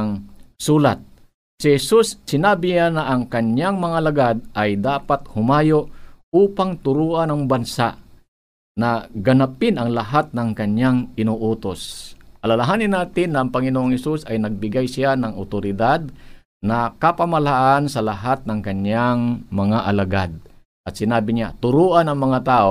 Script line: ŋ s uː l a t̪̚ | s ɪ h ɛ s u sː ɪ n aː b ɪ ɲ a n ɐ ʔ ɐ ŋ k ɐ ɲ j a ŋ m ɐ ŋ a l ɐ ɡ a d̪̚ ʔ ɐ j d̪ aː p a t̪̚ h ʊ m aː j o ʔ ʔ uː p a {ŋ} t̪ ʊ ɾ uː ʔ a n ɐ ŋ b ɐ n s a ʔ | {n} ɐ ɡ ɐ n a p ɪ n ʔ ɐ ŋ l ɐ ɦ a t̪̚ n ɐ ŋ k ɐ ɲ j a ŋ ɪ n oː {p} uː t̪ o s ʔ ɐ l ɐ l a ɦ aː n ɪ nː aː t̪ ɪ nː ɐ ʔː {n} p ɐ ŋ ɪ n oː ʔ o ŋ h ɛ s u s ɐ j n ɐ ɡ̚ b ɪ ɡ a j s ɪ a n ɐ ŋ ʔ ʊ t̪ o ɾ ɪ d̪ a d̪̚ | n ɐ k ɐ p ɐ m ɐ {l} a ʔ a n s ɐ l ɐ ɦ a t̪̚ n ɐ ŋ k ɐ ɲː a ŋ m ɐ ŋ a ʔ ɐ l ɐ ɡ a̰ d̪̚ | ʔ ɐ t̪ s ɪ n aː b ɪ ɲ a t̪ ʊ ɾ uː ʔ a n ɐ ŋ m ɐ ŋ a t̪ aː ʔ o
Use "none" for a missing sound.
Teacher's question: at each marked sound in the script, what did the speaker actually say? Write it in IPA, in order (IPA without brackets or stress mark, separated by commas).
ŋ, n, ʔ, ŋ, l